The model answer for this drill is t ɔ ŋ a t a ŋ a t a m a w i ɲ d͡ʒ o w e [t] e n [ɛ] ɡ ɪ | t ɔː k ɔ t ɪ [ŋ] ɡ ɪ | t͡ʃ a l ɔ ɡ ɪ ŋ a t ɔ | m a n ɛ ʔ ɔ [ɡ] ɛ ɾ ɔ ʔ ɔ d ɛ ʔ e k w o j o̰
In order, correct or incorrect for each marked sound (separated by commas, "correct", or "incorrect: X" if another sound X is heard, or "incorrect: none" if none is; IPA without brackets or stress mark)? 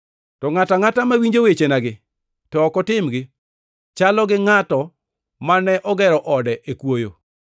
incorrect: t͡ʃ, incorrect: a, incorrect: m, correct